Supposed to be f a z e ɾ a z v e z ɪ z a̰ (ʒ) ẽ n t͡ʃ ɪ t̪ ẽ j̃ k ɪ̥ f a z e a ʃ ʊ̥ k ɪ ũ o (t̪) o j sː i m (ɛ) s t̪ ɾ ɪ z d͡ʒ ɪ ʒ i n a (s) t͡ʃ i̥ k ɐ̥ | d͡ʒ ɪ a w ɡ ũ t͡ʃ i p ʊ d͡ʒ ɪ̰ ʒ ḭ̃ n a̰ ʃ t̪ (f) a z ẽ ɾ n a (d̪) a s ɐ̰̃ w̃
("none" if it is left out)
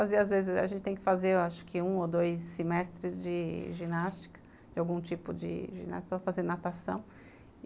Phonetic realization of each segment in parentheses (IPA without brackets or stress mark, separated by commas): ʒ, d̪, ɛ, s, f, t̪